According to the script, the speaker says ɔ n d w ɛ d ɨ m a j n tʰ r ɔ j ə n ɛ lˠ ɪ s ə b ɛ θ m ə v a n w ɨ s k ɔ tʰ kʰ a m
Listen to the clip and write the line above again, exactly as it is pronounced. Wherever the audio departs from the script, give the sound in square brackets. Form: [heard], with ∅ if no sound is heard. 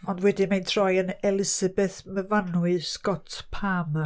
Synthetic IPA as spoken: ɔ n d w ɛ d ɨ m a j n tʰ r ɔ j ə n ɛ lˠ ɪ s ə b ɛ θ m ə v a n w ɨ s k ɔ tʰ [pʰ] a m